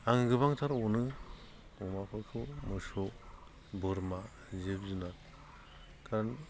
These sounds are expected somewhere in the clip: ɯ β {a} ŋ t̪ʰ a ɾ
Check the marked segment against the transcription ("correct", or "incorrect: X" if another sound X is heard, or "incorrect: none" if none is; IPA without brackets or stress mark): correct